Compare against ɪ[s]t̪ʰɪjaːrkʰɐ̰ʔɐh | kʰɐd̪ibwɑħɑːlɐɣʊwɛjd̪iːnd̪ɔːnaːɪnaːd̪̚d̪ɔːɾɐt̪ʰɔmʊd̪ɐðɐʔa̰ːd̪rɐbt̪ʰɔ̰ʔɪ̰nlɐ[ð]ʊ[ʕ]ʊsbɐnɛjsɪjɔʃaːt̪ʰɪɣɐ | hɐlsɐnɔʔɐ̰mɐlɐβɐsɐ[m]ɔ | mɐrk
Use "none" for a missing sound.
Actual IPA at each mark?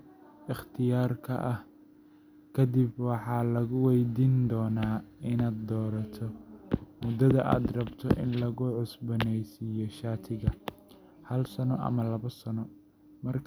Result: χ, ɣ, ʕ, n

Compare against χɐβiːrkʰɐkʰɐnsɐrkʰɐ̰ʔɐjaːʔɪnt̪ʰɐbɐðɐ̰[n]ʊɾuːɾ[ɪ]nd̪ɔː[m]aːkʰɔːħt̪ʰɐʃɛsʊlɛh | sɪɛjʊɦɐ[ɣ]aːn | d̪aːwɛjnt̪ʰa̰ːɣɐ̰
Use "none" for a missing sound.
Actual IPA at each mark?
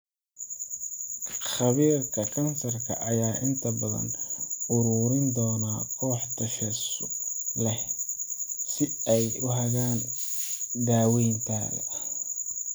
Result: n, ɪ, n, ɣ

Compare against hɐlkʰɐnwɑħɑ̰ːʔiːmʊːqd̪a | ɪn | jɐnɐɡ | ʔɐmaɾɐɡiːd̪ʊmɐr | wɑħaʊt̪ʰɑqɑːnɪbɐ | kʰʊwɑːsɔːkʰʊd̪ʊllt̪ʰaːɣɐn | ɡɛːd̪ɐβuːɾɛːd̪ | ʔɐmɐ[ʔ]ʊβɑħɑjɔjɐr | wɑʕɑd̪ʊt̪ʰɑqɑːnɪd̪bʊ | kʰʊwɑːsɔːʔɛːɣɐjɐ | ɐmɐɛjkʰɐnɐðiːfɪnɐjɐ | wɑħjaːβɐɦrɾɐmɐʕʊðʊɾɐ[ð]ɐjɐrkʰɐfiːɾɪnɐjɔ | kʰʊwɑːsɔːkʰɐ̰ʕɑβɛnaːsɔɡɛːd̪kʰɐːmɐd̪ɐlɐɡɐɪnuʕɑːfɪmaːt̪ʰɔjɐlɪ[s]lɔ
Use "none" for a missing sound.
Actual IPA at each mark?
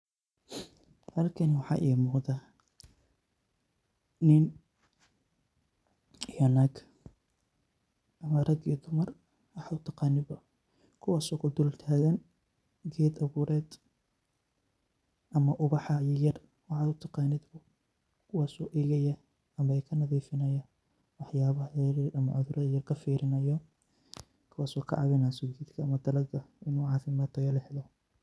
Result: ʔ, ð, ħ

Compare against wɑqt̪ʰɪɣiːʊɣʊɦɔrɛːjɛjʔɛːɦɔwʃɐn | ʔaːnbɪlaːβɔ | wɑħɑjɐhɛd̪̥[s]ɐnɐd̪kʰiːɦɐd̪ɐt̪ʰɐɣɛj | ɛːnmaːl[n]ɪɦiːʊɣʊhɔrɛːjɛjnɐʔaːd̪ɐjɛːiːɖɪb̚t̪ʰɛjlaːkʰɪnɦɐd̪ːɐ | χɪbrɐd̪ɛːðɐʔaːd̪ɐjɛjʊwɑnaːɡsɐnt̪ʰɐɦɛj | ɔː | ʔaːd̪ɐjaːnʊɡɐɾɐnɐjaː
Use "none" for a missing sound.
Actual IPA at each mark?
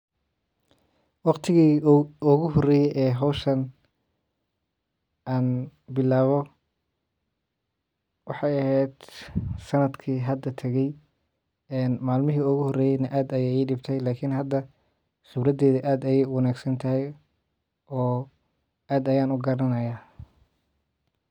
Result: s, m

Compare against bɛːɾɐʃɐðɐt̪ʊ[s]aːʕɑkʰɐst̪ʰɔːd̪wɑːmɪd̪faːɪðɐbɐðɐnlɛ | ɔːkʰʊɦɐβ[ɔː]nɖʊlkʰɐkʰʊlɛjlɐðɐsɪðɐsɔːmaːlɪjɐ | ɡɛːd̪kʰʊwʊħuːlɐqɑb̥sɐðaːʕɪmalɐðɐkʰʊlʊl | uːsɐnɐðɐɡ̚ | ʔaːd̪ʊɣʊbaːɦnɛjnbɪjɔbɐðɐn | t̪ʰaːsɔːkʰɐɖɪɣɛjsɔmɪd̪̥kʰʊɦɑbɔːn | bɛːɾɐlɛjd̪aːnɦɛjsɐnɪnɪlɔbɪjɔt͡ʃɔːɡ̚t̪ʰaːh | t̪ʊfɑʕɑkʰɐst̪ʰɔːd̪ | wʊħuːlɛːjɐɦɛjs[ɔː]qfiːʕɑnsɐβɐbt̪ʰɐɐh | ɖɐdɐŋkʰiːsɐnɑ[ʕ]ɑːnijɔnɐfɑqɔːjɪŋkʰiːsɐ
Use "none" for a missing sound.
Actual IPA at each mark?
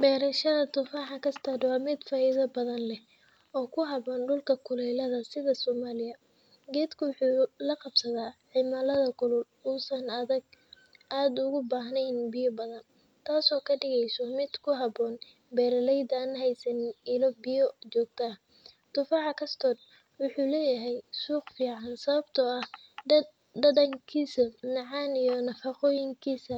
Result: f, ɔː, uː, ʕ

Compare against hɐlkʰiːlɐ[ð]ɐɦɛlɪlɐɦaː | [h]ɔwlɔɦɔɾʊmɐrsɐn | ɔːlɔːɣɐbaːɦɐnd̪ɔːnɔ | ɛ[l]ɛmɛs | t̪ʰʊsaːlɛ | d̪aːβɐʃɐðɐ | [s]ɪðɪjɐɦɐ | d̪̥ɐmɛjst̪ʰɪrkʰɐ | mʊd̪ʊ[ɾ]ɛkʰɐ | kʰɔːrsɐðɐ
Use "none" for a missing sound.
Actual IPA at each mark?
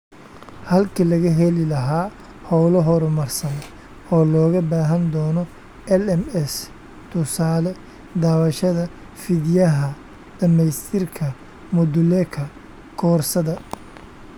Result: ɣ, h, l, f, l

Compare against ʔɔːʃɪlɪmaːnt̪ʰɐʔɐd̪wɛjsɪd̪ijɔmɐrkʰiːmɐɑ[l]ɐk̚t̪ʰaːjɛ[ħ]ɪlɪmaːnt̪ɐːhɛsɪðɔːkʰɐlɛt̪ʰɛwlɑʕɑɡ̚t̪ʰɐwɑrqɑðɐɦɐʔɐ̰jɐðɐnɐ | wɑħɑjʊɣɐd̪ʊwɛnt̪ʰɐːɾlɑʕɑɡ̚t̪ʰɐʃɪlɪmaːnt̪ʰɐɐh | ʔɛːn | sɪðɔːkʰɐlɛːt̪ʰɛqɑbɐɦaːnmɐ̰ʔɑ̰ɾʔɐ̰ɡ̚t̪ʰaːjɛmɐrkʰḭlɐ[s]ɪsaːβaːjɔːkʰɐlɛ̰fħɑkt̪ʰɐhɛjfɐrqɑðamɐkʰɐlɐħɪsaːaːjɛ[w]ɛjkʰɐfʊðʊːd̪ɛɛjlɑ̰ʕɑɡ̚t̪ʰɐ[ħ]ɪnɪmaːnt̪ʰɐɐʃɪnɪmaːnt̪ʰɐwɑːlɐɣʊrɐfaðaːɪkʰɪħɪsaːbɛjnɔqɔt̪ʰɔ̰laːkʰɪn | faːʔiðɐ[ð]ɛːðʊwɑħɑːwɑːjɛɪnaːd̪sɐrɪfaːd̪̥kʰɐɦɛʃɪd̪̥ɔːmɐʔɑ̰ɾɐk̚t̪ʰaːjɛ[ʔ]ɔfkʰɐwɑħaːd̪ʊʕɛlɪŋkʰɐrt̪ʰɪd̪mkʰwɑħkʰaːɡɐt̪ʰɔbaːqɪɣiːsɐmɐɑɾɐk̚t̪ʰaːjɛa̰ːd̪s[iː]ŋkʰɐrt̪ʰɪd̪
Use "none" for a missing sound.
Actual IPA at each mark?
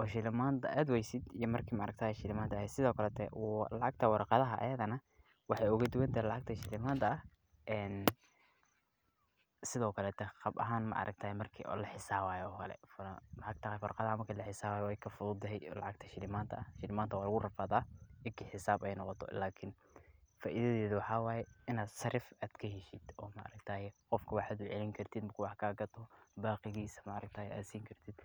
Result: ɾ, ʃ, ħ, w, ʃ, ð, q, iː

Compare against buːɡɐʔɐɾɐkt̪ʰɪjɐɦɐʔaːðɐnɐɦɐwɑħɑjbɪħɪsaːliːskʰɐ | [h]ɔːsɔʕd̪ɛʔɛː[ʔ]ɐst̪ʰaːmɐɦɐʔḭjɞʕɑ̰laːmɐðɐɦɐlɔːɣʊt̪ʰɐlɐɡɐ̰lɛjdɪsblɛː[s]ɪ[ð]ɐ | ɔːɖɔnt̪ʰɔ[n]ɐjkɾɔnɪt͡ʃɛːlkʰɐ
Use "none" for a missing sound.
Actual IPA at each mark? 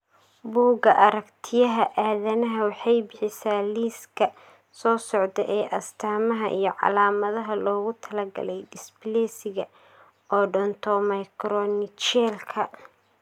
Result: s, ʔ, s, ɣ, m

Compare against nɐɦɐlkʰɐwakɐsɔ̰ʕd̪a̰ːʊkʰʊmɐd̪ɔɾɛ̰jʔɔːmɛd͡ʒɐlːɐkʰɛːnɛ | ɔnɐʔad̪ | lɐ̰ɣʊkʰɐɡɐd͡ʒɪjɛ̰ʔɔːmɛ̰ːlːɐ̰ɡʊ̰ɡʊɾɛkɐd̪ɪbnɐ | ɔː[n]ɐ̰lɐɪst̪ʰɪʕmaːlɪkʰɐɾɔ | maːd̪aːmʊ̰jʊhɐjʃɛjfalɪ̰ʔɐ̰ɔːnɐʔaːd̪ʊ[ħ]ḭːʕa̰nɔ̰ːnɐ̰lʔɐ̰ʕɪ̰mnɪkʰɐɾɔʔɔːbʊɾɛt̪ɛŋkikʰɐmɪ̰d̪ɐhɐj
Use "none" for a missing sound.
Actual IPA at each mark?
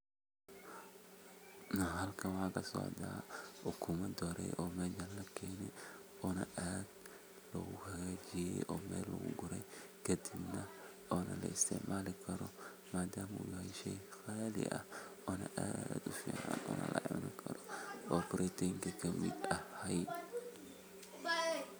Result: n, f

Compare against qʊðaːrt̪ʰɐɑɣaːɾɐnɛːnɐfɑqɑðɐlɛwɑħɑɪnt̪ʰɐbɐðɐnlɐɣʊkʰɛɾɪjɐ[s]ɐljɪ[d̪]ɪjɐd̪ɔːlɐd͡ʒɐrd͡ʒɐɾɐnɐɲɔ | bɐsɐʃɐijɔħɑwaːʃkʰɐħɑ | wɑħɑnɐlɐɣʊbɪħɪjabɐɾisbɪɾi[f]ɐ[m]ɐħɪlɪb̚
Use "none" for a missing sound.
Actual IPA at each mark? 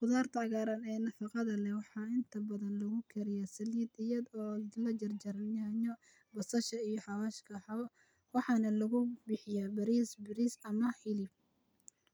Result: s, d̪, s, m

